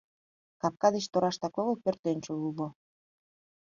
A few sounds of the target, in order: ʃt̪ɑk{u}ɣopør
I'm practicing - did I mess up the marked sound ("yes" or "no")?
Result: yes